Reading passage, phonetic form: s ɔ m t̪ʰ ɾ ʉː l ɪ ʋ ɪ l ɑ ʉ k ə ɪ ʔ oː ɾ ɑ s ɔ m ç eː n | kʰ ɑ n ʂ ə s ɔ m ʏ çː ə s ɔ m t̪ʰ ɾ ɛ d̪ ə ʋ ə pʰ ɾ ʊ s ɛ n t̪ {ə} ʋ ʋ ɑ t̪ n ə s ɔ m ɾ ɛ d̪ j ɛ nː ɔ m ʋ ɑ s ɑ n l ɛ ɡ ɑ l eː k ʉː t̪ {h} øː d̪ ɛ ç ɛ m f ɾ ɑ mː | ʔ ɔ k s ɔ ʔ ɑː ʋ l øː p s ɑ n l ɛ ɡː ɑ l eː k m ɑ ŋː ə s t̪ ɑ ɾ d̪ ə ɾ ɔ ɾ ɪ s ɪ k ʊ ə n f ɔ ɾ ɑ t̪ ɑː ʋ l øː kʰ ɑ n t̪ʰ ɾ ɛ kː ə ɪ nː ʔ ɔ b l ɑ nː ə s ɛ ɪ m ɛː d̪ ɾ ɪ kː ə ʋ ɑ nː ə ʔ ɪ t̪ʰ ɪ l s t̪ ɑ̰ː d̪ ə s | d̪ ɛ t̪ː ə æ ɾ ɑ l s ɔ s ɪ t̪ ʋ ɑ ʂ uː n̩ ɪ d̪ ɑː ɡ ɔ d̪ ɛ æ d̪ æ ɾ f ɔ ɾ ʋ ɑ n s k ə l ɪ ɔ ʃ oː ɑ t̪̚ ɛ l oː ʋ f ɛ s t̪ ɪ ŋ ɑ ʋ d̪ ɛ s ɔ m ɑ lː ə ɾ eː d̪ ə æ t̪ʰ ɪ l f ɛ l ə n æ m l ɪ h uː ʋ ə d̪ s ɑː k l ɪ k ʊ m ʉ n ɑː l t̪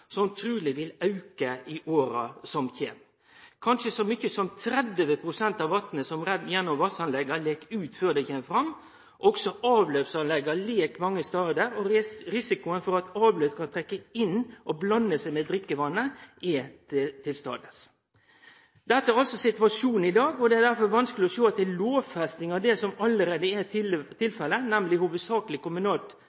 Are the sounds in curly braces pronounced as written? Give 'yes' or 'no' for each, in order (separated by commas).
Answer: no, no